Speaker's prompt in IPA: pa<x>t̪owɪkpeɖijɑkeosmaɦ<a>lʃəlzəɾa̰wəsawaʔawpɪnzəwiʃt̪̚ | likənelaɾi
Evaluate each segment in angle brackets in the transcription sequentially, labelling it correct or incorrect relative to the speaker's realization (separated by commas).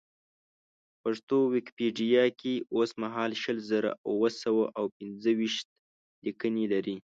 incorrect, incorrect